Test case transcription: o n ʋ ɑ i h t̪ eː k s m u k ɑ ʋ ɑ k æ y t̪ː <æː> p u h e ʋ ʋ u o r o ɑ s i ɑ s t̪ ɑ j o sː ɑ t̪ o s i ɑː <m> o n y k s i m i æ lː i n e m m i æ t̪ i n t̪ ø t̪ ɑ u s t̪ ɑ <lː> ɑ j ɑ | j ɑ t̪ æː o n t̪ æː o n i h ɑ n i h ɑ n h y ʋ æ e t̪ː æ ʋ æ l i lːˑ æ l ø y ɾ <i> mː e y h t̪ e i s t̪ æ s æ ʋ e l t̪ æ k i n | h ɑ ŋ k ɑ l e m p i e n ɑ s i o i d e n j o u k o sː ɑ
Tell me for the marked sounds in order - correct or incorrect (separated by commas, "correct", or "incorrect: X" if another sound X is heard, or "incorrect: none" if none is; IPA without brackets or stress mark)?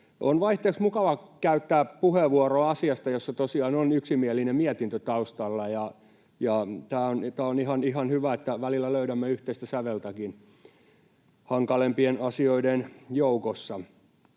correct, incorrect: n, correct, incorrect: æ